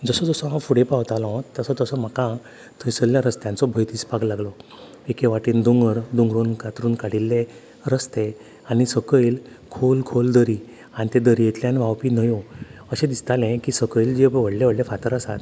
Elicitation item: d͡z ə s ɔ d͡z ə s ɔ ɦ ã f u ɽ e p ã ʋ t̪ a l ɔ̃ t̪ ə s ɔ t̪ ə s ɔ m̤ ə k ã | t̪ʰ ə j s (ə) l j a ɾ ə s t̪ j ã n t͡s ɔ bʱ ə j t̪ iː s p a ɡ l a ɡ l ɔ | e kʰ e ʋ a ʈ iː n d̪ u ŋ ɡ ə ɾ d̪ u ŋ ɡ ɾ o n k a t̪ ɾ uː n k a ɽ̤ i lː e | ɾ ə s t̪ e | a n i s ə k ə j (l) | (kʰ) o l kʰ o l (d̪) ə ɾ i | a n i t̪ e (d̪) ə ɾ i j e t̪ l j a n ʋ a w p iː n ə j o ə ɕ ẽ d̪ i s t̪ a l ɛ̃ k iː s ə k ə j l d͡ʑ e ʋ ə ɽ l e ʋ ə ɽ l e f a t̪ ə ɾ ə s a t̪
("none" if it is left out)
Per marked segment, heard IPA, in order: ə, l, kʰ, d̪, d̪

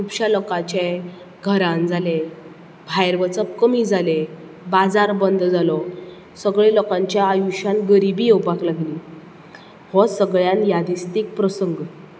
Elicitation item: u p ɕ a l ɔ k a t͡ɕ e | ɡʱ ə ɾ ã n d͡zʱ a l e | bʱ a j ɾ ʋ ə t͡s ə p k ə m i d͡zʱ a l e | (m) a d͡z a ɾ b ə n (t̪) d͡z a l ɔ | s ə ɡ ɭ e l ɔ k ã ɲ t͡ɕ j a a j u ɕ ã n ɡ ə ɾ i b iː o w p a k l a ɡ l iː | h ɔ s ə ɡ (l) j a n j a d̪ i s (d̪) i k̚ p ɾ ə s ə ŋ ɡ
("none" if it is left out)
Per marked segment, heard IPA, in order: b, d̪, ɭ, t̪

